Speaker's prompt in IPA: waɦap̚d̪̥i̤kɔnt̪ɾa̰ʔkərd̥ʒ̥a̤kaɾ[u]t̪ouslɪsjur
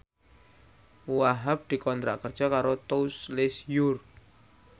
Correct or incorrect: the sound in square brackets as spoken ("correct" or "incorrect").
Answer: incorrect